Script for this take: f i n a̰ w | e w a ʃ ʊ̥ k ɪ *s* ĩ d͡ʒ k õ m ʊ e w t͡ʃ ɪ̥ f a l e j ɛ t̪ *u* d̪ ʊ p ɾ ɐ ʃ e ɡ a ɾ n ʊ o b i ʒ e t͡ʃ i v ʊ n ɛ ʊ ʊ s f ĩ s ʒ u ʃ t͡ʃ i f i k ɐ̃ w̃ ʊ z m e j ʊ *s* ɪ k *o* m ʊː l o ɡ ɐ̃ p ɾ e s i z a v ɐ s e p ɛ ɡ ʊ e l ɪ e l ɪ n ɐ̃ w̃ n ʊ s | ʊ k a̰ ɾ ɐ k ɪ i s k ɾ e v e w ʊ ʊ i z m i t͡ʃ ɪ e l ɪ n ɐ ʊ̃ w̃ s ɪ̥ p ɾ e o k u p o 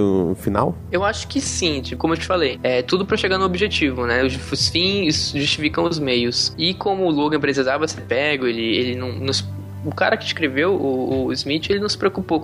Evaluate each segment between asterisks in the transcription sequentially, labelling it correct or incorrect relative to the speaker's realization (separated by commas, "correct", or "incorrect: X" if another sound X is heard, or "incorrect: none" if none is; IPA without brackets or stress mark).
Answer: correct, correct, correct, incorrect: õ